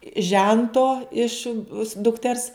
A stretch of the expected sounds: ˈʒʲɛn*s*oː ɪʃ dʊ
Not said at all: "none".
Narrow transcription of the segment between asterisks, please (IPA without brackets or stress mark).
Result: t